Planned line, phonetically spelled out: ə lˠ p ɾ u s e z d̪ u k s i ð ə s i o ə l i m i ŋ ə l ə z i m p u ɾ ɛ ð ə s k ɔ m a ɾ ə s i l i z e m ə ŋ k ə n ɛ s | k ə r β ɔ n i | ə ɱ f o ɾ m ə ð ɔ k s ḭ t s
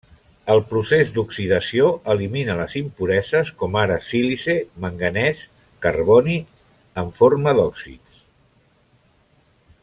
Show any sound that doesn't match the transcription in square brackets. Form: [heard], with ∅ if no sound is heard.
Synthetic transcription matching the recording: ə lˠ p ɾ u s e z d̪ u k s i ð ə s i o ə l i m i [n] ə l ə z i m p u ɾ ɛ [z] ə s k ɔ m a ɾ ə s i l i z e m ə ŋ [ɡ] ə n ɛ s | k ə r β ɔ n i | ə ɱ f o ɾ m ə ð ɔ k s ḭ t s

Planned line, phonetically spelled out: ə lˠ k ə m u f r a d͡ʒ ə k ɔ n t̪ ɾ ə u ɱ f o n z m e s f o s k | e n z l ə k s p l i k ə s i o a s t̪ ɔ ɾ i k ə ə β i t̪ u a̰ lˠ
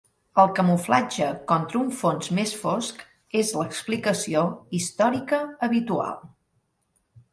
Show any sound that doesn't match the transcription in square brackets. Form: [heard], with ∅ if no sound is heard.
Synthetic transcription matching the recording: ə lˠ k ə m u f [l] a d͡ʒ ə k ɔ n t̪ ɾ ə u ɱ f o n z m e s f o s k | e [∅] z l ə k s p l i k ə s i o [i] s t̪ ɔ ɾ i k ə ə β i t̪ u a̰ lˠ

